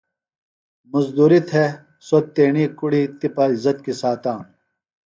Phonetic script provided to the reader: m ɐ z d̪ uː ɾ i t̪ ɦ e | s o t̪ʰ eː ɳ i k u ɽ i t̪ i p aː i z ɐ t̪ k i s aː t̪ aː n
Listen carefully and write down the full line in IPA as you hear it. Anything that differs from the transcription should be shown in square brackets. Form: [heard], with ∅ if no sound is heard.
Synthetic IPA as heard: m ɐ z d̪ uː ɾ i t̪ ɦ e | s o [t̪] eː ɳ i k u ɽ i t̪ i p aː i z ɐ t̪ k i s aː t̪ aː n